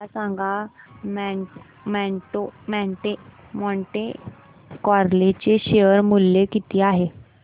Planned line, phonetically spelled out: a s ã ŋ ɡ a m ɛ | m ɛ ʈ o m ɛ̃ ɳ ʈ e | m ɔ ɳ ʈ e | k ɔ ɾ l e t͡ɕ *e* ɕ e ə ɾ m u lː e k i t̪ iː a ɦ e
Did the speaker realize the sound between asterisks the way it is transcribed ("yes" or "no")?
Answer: yes